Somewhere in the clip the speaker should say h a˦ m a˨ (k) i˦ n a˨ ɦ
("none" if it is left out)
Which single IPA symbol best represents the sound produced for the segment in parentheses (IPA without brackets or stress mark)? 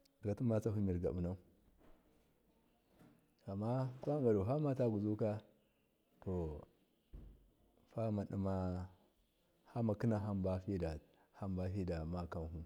k